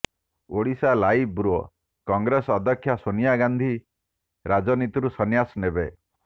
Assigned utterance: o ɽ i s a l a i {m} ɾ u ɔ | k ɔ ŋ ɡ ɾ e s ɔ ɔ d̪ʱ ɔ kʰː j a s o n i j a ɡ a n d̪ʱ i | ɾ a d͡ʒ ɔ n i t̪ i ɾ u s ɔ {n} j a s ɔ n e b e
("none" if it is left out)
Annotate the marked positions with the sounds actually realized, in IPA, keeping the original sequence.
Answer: b, n

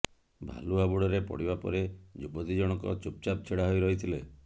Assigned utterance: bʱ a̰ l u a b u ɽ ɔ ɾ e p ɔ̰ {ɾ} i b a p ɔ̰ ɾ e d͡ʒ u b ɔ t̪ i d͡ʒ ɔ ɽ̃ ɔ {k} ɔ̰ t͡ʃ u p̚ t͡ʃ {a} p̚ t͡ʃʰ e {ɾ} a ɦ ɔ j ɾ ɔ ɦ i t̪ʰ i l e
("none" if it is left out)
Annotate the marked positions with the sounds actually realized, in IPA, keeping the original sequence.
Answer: ɽ, k, a, ɽ

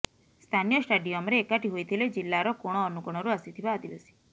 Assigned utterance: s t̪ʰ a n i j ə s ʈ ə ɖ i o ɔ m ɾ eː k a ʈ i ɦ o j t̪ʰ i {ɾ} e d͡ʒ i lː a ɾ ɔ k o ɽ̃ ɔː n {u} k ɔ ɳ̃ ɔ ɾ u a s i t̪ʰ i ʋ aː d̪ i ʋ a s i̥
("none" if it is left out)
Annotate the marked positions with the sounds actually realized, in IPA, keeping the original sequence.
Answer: l, u

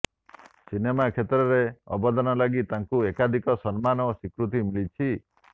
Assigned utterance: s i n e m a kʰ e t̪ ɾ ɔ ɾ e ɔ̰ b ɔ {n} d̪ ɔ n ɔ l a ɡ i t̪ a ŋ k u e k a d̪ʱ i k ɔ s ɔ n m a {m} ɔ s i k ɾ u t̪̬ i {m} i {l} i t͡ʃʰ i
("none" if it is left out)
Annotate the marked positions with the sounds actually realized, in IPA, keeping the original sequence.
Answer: none, n, m, l

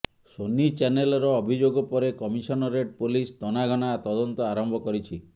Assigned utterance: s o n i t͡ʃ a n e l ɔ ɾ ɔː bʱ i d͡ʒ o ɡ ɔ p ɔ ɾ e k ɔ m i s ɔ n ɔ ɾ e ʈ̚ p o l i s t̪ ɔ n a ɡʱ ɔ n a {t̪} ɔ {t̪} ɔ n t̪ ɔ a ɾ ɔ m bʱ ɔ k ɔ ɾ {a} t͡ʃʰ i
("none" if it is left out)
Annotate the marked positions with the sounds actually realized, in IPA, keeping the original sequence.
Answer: t̪, d̪, i

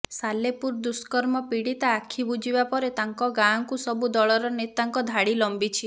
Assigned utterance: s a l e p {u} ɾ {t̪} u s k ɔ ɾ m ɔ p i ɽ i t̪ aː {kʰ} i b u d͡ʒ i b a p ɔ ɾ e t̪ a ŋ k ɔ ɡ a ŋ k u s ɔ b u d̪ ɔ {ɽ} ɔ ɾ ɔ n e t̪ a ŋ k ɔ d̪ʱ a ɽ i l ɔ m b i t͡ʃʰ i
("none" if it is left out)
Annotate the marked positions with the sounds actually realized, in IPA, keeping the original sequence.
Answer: u, d̪, kʰ, ɭ

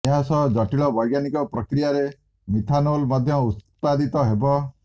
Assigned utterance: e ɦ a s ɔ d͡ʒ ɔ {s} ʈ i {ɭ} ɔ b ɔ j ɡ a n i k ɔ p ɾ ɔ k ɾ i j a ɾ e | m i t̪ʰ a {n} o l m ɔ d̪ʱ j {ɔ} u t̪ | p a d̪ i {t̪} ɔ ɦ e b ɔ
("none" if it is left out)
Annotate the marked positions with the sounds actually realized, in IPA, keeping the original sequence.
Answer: none, ɭ, n, ɔ, t̪

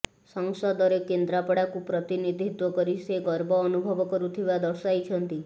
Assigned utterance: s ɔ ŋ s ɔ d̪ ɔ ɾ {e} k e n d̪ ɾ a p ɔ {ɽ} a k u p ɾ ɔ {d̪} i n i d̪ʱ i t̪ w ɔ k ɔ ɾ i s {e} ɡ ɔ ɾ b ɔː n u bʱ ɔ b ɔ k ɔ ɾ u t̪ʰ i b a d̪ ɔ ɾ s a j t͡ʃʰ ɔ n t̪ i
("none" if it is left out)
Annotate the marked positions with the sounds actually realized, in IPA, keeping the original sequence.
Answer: e, ɽ, t̪, e

